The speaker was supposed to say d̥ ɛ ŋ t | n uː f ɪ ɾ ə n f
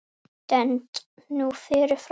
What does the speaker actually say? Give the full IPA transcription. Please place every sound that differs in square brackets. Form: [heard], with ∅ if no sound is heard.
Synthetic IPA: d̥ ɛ [n] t | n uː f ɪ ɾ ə [∅] f